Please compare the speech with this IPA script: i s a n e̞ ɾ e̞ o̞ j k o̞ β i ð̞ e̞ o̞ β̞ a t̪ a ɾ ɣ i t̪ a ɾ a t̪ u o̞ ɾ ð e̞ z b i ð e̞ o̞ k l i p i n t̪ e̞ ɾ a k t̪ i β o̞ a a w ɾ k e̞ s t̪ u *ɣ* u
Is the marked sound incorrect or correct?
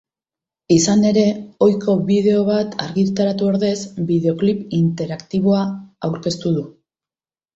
incorrect